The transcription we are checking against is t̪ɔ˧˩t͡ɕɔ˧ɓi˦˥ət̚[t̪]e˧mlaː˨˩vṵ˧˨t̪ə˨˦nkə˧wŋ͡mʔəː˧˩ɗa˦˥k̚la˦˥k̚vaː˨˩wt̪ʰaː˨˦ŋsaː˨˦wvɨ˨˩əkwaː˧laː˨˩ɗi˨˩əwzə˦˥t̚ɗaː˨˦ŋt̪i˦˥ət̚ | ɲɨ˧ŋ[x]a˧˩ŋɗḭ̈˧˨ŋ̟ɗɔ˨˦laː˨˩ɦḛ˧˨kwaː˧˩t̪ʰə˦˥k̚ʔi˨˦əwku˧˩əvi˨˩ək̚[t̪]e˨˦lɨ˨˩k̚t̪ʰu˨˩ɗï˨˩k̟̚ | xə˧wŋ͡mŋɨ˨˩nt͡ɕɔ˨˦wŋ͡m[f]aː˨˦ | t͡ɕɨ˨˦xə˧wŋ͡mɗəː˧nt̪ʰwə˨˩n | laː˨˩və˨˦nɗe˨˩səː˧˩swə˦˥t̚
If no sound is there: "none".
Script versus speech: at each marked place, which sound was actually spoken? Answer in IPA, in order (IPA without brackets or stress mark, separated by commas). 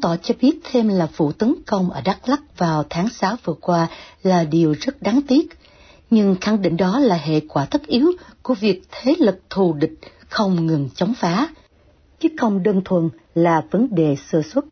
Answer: t̪ʰ, x, t̪ʰ, f